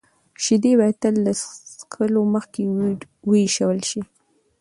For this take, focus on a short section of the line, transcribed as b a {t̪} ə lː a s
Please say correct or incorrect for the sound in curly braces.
correct